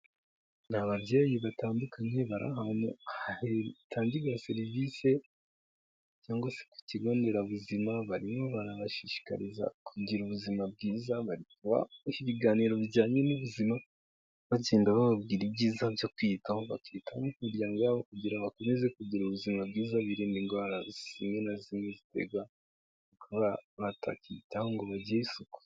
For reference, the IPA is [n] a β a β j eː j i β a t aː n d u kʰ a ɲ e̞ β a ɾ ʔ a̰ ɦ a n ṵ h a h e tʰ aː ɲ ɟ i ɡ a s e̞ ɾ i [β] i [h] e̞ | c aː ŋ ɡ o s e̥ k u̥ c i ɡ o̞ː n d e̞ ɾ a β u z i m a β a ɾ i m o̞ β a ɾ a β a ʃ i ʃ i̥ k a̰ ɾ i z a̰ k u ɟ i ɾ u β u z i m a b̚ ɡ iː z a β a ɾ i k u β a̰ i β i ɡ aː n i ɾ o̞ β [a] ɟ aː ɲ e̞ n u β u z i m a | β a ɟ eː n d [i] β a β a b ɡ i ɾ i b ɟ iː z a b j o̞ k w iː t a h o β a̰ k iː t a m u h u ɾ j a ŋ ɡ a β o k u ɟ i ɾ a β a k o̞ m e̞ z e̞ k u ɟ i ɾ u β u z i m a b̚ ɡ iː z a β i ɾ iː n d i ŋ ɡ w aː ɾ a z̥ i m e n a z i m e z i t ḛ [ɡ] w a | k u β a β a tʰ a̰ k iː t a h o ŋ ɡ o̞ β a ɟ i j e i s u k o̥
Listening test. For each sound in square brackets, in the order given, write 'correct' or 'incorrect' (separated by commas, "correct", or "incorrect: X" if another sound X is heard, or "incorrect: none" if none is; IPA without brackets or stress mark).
correct, incorrect: v, incorrect: s, incorrect: i, incorrect: a, correct